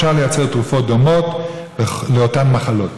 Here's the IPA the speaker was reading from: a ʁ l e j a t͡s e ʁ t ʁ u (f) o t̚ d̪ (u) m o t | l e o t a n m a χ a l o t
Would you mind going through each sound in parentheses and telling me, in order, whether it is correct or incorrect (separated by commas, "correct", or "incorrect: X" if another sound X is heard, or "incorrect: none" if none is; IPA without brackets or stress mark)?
correct, incorrect: o